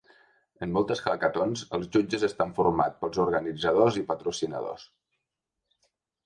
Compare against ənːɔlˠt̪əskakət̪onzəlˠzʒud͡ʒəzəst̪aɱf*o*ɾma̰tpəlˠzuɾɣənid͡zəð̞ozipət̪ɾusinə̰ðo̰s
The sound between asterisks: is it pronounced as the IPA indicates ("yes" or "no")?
no